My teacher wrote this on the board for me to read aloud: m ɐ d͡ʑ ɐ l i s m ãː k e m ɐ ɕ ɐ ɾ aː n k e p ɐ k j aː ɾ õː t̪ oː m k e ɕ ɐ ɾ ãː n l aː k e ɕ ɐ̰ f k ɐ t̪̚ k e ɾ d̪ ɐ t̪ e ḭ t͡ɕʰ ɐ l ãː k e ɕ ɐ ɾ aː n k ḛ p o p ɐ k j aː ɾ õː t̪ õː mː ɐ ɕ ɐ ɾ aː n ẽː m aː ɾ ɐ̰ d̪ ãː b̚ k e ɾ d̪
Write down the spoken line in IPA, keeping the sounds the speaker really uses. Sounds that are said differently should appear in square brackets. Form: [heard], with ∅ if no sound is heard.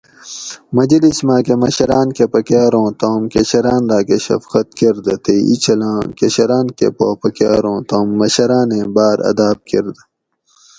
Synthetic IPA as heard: m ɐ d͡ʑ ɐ l i s m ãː k e m ɐ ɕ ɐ ɾ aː n k e p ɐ k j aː ɾ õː t̪ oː m k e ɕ ɐ ɾ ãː n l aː k e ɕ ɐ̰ f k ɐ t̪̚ k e ɾ d̪ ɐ t̪ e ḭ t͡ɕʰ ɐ l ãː k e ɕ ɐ ɾ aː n k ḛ p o p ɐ k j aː ɾ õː t̪ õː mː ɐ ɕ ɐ ɾ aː n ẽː [b] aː ɾ ɐ̰ d̪ [aː] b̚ k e ɾ d̪